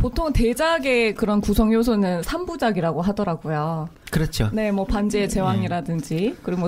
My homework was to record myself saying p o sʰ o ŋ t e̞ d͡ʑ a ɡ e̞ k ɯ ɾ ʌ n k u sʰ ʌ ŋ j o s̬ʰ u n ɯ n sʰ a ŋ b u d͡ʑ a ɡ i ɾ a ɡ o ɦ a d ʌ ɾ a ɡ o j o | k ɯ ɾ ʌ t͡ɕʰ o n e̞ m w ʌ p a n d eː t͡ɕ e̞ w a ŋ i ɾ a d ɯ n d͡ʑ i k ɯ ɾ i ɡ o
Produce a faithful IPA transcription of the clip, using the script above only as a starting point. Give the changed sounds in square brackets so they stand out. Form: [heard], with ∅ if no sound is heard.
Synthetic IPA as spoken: p o [tʰ] o ŋ t e̞ d͡ʑ a ɡ e̞ k ɯ ɾ ʌ n k u sʰ ʌ ŋ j o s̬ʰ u n ɯ n sʰ a [m] b u d͡ʑ a ɡ i ɾ a ɡ o ɦ a d ʌ ɾ a ɡ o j o | k ɯ ɾ ʌ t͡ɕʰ o n e̞ m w ʌ p a n [d͡ʑ] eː t͡ɕ e̞ w a ŋ i ɾ a d ɯ n d͡ʑ i k ɯ ɾ i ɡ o